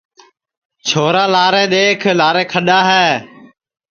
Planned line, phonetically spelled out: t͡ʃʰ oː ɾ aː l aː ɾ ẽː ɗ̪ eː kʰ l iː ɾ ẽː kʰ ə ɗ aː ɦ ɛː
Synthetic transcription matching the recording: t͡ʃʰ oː ɾ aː l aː ɾ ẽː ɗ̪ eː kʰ l aː ɾ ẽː kʰ ə ɗ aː ɦ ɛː